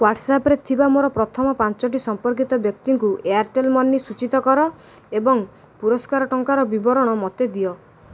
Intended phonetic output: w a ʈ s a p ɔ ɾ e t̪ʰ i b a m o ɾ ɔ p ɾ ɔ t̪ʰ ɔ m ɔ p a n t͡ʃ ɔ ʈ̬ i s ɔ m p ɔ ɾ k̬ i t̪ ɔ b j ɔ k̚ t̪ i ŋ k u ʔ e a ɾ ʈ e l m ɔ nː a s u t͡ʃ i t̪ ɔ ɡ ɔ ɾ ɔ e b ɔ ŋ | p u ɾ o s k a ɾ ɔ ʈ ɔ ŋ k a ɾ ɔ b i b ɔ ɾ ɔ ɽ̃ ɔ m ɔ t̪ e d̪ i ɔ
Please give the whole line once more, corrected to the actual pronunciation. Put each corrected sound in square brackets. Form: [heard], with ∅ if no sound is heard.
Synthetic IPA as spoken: w a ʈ s a p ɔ ɾ e t̪ʰ i b a m o ɾ ɔ p ɾ ɔ t̪ʰ ɔ m ɔ p a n t͡ʃ ɔ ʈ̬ i s ɔ m p ɔ ɾ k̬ i t̪ ɔ b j ɔ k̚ t̪ i ŋ k u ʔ e a ɾ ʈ e l m ɔ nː [i] s u t͡ʃ i t̪ ɔ [k] ɔ ɾ ɔ e b ɔ ŋ | p u ɾ [ɔ] s k a ɾ ɔ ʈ ɔ ŋ k a ɾ ɔ b i b ɔ ɾ ɔ ɽ̃ ɔ m ɔ t̪ e d̪ i ɔ

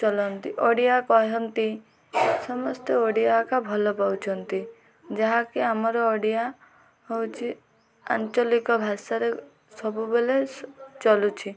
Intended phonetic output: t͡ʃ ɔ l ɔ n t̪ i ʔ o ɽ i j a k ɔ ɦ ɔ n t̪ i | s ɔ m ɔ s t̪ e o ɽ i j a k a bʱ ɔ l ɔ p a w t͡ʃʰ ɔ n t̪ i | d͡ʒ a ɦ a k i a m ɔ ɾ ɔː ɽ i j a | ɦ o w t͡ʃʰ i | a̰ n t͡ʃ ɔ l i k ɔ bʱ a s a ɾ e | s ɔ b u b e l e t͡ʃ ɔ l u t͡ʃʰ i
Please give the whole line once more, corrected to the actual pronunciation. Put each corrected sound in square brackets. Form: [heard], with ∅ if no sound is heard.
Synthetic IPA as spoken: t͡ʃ ɔ l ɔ n t̪ i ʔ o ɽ i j a k ɔ ɦ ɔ n t̪ i | s ɔ m ɔ s t̪ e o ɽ i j a k a bʱ ɔ l ɔ p a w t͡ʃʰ ɔ n t̪ i | d͡ʒ a ɦ a k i a m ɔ ɾ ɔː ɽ i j a | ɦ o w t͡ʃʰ i | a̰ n t͡ʃ ɔ l i k ɔ bʱ a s a ɾ e | s ɔ b u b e l e t͡ʃ ɔ l u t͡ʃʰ i

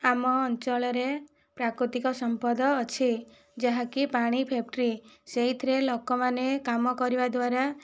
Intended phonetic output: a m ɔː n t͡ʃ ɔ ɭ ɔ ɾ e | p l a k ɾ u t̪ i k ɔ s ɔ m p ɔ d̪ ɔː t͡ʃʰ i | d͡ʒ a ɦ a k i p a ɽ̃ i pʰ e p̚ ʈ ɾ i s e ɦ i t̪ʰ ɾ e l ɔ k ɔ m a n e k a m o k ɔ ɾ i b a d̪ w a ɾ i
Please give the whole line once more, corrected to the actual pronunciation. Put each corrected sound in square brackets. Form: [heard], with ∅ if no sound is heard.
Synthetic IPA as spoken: a m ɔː n t͡ʃ ɔ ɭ ɔ ɾ e | p [ɾ] a k ɾ u t̪ i k ɔ s ɔ m p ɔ d̪ ɔː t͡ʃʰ i | d͡ʒ a ɦ a k i p a ɽ̃ i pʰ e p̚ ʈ ɾ i s e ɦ i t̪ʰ ɾ e l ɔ k ɔ m a n e k a m [ɔ] k ɔ ɾ i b a d̪ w a ɾ [a]

